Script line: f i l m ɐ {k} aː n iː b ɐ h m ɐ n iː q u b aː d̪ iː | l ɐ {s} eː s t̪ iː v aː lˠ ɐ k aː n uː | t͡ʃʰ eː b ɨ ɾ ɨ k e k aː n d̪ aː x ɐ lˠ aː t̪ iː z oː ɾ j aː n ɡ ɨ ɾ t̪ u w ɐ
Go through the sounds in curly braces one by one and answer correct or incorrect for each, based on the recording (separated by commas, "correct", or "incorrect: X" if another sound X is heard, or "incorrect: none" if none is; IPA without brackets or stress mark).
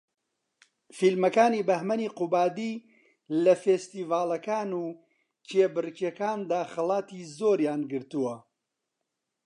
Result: correct, incorrect: f